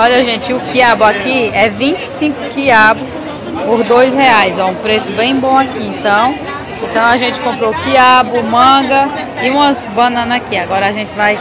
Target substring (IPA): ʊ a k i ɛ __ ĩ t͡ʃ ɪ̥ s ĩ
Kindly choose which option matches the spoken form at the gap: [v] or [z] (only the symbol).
v